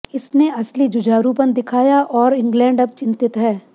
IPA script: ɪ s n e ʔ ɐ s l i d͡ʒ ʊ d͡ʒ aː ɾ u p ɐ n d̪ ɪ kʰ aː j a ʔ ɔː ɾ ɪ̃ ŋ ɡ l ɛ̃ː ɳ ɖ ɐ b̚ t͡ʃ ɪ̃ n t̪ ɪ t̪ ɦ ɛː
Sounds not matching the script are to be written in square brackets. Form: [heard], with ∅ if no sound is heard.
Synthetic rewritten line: ɪ s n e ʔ ɐ s l i d͡ʒ ʊ d͡ʒ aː ɾ u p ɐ n d̪ ɪ kʰ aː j a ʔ ɔː ɾ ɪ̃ ŋ ɡ l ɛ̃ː ɳ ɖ ɐ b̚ t͡ʃ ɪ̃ n t̪ ɪ t̪ ɦ ɛː